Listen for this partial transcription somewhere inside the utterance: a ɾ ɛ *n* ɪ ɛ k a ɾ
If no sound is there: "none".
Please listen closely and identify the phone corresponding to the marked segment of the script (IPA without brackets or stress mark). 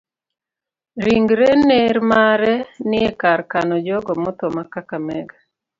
n